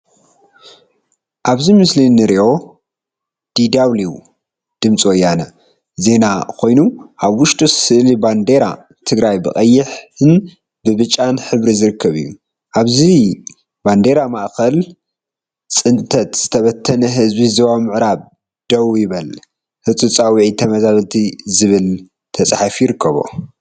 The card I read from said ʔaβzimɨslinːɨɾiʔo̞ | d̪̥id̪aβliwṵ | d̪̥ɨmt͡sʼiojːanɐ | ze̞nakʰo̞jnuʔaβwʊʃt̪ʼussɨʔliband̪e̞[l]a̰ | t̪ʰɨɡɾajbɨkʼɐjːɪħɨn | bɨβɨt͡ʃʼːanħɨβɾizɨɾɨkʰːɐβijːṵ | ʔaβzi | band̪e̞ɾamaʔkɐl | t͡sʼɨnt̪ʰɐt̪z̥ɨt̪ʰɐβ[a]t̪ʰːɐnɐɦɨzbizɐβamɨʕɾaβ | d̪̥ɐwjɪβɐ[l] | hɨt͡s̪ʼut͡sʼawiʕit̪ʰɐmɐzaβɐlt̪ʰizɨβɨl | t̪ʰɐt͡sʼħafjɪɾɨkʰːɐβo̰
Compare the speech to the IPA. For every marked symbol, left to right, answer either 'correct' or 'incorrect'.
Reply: incorrect: ɾ, incorrect: ɐ, correct

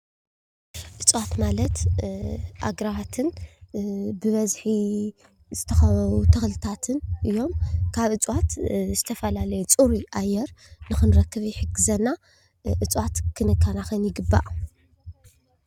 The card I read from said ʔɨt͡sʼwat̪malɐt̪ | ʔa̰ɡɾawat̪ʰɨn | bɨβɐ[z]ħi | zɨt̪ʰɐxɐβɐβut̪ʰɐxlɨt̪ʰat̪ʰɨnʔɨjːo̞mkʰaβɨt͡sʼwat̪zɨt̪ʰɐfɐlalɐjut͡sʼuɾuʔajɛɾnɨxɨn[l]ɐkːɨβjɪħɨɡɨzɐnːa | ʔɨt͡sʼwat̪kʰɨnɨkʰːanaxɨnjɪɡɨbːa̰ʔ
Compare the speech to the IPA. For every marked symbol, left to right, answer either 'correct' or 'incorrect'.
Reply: correct, incorrect: ɾ

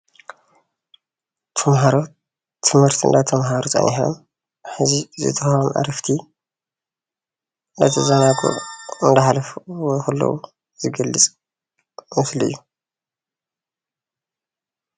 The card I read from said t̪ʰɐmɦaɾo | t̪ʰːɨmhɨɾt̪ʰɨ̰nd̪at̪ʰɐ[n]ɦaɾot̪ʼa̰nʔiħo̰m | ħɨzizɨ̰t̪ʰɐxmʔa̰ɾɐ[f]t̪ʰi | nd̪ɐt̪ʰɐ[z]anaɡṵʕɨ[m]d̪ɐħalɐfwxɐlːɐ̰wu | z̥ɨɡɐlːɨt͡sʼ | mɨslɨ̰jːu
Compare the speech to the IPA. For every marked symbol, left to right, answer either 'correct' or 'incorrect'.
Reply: incorrect: m, correct, correct, incorrect: n

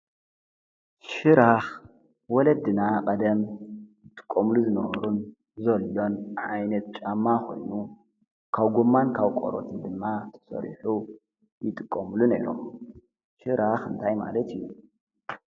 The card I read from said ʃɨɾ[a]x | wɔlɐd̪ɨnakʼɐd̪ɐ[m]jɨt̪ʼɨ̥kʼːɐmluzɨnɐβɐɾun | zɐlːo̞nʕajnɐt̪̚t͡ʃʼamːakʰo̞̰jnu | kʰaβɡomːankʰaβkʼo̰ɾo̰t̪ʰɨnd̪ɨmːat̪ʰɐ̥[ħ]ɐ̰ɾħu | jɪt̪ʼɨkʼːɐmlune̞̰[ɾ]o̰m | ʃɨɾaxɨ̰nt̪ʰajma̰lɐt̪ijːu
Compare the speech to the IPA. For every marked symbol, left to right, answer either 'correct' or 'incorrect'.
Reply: correct, correct, incorrect: s, correct

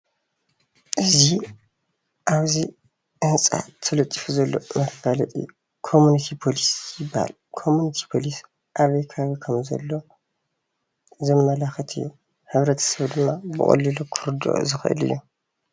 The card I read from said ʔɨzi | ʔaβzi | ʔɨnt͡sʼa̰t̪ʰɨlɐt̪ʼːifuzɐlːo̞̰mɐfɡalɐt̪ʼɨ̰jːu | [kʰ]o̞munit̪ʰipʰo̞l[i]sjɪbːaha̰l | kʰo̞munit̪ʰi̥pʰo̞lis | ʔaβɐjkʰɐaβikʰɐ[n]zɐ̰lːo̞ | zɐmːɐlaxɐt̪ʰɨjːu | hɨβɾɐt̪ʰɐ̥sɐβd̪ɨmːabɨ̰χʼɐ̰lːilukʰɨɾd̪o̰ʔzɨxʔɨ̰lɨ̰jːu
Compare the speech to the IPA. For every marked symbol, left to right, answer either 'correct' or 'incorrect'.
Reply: correct, correct, incorrect: m

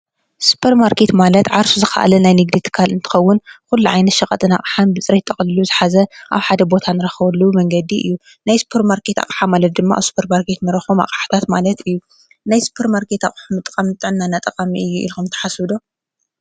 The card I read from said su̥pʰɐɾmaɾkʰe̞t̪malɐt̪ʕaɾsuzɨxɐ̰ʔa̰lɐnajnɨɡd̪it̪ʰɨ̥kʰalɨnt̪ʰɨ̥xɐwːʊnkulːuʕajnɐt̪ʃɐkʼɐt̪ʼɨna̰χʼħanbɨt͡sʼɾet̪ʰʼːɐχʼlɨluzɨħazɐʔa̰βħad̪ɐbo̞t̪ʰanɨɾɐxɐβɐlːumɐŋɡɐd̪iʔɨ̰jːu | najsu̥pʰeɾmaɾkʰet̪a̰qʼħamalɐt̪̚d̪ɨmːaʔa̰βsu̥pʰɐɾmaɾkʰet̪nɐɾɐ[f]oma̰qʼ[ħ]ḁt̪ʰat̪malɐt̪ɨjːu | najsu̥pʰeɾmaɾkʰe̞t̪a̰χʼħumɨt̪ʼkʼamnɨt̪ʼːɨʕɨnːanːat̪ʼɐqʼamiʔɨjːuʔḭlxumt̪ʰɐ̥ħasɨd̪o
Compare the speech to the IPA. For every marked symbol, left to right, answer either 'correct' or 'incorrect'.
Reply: incorrect: x, correct

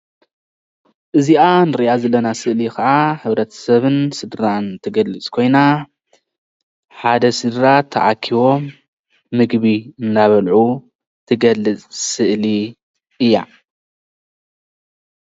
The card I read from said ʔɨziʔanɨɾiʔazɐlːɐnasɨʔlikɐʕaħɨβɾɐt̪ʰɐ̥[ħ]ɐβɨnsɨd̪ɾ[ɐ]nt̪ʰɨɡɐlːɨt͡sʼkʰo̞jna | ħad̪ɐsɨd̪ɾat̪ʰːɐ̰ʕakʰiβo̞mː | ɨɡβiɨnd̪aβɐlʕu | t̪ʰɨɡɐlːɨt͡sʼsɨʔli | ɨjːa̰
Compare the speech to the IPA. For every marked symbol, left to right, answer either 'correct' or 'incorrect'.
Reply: incorrect: s, incorrect: a

